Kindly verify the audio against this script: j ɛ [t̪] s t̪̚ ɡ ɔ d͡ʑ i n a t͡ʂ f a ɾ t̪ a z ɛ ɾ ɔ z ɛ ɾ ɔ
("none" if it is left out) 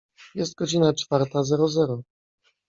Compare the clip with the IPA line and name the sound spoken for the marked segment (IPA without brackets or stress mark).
none